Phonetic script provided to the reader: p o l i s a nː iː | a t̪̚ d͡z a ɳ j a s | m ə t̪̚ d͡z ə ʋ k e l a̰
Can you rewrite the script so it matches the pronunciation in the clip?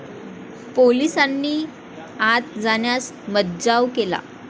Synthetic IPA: p o l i s a nː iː | a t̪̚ d͡z a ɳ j a s | m ə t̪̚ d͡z a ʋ k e l a̰